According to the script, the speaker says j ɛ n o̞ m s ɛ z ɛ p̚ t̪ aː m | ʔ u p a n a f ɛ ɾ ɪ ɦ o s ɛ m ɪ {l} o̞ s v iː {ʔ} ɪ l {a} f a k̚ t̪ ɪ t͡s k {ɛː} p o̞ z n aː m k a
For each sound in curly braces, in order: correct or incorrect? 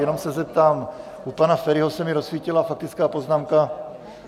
incorrect, incorrect, correct, incorrect

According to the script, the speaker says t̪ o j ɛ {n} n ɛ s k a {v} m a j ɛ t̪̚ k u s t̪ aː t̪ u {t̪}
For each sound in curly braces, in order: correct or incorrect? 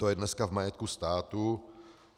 incorrect, correct, incorrect

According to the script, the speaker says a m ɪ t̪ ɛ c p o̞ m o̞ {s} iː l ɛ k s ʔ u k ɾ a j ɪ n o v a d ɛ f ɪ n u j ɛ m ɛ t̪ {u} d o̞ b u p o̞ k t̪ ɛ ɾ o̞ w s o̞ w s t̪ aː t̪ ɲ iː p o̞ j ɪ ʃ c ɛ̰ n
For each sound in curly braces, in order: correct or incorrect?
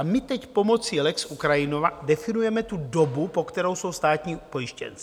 incorrect, correct

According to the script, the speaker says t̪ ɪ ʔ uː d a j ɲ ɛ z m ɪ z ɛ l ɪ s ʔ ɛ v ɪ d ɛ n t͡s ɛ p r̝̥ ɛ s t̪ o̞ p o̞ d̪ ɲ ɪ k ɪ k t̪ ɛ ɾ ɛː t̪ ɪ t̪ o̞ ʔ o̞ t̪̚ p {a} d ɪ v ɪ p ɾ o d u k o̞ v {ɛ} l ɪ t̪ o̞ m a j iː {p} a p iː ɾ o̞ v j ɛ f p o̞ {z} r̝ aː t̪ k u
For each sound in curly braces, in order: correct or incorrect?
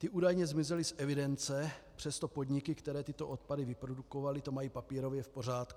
correct, incorrect, correct, incorrect

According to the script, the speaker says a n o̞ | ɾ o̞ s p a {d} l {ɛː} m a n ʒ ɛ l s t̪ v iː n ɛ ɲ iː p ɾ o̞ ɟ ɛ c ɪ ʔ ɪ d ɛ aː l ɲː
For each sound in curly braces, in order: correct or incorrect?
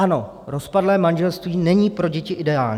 correct, correct

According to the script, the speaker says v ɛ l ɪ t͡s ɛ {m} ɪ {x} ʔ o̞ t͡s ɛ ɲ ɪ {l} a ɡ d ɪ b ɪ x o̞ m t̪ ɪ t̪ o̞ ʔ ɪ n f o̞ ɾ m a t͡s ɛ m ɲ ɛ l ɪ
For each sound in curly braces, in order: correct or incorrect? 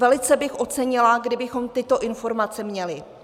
incorrect, correct, correct

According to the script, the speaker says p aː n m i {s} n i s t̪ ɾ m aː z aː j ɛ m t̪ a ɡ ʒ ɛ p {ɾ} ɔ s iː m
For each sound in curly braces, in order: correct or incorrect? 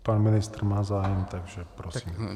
incorrect, correct

